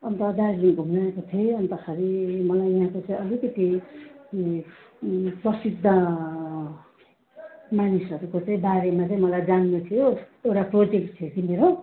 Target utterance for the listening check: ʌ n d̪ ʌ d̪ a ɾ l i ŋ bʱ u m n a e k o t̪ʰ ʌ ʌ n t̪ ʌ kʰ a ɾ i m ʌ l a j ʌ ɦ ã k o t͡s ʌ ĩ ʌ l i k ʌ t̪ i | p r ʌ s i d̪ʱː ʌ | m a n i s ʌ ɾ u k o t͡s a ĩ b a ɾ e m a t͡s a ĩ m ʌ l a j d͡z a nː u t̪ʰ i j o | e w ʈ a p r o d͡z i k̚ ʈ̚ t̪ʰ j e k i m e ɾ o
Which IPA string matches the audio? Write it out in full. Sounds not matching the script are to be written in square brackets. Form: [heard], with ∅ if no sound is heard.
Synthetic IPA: ʌ n [t̪] ʌ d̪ a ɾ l i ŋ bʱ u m n a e k o t̪ʰ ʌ ʌ n t̪ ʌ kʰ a ɾ i m ʌ l a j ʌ ɦ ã k o t͡s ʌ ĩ ʌ l i k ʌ t̪ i | p r ʌ s i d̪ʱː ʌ | m a n i s ʌ ɾ u k o t͡s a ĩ b a ɾ e m a t͡s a ĩ m ʌ l a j d͡z a nː u t̪ʰ i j o | e w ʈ a p r o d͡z [e] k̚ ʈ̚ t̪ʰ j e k i m e ɾ o